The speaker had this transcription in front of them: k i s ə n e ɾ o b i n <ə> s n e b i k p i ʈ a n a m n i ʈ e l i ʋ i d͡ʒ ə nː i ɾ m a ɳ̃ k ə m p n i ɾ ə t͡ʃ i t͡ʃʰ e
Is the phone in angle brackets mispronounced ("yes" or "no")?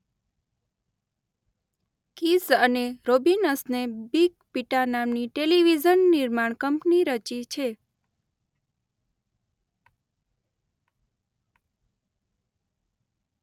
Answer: no